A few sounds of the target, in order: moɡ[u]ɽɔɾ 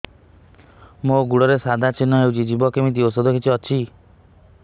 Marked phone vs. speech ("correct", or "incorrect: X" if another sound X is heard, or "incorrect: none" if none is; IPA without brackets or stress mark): correct